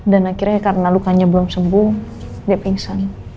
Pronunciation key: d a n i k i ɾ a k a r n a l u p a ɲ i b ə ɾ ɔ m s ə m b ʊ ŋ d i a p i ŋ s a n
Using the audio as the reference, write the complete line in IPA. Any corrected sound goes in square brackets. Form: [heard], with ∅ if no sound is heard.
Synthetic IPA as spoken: d a n [a] k i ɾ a k a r n a l u [k] a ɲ [a] b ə [l] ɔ m s ə m b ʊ ŋ d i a p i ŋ s a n